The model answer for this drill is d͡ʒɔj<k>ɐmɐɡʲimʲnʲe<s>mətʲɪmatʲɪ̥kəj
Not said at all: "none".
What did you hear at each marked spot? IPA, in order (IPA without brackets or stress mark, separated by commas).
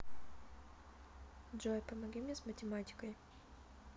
p, s